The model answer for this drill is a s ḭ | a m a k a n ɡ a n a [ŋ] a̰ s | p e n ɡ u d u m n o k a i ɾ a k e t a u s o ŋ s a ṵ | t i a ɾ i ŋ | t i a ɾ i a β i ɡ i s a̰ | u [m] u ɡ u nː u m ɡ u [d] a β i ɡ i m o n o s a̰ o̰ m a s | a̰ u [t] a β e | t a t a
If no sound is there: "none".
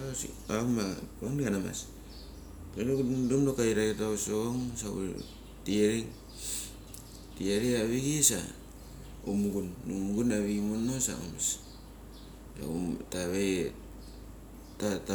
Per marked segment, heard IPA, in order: m, m, n, t

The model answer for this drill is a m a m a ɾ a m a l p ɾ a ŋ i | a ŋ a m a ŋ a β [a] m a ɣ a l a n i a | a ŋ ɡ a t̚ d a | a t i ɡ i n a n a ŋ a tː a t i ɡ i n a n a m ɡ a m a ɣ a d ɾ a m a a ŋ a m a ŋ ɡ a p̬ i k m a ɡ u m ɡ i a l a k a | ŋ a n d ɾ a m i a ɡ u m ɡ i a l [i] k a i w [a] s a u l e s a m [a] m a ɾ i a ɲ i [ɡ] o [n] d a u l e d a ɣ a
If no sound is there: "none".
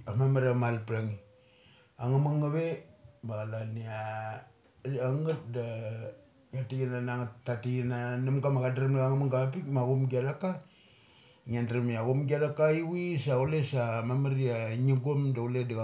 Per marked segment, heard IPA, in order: e, a, i, a, ɡ, m

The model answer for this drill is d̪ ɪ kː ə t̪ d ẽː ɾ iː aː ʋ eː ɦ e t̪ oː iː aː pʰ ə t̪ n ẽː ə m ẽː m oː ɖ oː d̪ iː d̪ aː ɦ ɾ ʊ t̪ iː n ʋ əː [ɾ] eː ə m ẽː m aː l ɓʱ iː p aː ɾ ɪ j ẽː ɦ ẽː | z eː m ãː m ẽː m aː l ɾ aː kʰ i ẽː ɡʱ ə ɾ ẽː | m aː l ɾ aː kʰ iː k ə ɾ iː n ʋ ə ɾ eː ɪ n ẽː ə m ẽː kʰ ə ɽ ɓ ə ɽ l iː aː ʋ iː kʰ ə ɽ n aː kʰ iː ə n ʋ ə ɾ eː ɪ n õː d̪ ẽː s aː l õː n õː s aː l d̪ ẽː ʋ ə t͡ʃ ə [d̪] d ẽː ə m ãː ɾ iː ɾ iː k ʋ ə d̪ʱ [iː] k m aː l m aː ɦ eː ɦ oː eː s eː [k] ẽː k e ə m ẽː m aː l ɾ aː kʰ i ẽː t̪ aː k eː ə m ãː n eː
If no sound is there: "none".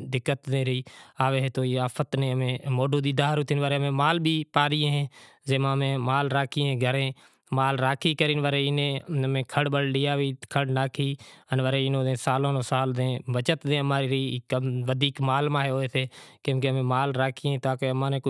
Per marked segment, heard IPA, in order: ɾ, t̪, iː, k

